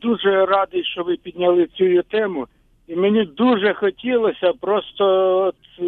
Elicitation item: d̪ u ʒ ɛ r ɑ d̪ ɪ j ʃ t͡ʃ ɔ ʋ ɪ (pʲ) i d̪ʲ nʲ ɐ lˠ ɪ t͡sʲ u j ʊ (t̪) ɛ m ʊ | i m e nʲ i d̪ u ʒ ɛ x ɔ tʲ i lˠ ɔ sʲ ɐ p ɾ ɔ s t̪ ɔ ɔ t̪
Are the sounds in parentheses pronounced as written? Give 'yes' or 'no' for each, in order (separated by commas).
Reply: yes, yes